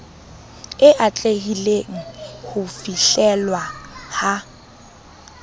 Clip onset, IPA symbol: ɪ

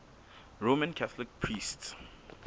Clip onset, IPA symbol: ɹ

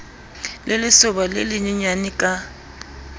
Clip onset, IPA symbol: l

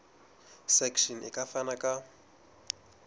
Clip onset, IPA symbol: s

